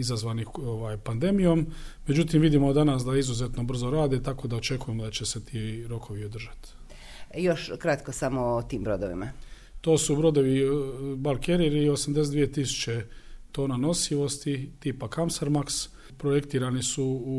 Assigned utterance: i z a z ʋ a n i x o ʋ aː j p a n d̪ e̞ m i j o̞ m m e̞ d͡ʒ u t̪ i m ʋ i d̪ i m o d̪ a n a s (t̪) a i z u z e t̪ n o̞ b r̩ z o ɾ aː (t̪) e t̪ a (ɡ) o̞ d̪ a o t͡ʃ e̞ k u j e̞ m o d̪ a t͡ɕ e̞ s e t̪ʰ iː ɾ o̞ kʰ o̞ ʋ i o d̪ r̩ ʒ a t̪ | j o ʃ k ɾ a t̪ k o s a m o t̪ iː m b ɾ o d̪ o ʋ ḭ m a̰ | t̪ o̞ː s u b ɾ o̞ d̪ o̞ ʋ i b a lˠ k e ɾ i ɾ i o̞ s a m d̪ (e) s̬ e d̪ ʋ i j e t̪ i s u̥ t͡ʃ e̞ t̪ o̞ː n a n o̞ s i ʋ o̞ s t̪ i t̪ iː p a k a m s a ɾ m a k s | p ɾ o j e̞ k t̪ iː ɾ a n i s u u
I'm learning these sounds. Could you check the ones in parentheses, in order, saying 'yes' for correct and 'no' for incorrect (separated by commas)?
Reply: no, no, no, yes